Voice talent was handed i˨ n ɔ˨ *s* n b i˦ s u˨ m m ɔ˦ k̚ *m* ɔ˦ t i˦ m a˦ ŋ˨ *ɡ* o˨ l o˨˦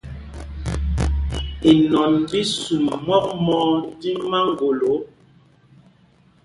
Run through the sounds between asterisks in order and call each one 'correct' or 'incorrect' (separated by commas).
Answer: incorrect, correct, correct